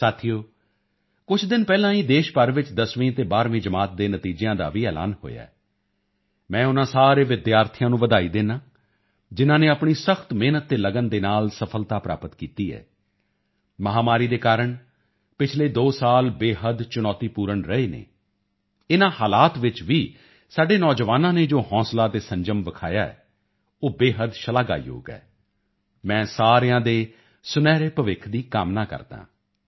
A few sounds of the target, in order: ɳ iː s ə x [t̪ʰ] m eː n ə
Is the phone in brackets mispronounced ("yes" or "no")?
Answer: yes